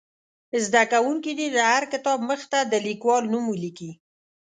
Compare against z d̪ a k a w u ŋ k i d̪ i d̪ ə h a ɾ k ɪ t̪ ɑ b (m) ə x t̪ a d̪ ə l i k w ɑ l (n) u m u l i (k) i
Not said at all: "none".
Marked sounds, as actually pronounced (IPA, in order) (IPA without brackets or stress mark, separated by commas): m, n, k